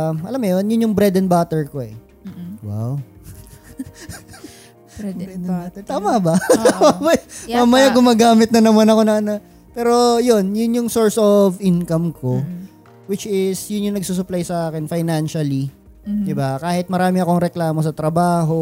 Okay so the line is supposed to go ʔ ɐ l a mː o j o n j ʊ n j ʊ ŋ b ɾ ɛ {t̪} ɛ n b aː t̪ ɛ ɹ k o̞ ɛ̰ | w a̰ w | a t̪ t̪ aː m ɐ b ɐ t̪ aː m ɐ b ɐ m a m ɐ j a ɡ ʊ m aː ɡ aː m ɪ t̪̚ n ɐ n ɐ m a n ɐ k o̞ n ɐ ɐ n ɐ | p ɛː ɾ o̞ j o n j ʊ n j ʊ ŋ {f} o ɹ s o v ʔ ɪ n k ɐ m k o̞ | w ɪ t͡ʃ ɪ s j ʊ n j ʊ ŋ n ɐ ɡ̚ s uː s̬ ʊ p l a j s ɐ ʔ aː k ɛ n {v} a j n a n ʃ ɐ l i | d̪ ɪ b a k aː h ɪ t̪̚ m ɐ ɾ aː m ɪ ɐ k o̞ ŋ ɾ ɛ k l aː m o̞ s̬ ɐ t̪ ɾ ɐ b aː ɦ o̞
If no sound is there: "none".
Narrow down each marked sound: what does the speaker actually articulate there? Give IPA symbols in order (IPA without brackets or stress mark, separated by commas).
d̪, s, f